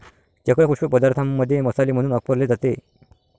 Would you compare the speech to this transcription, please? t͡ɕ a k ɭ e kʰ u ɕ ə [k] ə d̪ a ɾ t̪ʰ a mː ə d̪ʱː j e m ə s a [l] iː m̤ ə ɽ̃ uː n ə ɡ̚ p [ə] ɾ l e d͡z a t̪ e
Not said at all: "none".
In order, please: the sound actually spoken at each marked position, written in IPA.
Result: p, l, ə

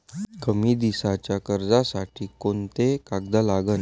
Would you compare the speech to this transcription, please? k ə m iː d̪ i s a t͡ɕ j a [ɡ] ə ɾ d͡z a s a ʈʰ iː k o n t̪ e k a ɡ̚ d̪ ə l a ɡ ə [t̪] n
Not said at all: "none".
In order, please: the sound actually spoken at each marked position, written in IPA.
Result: k, none

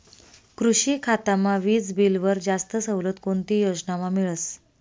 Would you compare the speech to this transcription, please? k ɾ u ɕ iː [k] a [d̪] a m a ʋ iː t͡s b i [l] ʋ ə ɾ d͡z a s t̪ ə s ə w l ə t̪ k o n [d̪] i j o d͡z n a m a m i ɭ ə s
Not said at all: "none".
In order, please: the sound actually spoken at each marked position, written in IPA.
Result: kʰ, t̪, l, t̪

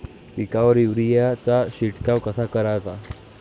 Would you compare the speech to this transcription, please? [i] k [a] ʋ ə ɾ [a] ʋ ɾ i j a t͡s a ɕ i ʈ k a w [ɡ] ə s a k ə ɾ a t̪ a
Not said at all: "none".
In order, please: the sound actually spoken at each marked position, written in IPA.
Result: i, a, i, k

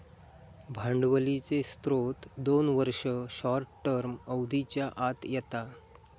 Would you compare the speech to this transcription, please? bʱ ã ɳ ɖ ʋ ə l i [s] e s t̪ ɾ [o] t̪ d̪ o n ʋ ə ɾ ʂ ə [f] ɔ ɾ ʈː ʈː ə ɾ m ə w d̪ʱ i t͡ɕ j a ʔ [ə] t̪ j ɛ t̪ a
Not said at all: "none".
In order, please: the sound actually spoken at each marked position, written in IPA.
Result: t͡s, o, ɕ, a

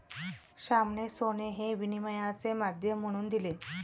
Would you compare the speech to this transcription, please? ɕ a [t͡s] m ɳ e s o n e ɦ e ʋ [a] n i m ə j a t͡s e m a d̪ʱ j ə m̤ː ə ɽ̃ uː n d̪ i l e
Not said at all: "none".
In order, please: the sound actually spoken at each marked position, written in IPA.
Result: none, i

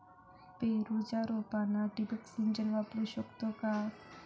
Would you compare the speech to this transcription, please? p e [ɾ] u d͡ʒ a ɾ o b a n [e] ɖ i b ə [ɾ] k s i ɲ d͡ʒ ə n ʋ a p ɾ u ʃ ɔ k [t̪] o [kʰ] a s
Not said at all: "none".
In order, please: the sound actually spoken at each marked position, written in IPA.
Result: ɾ, a, none, t̪, k

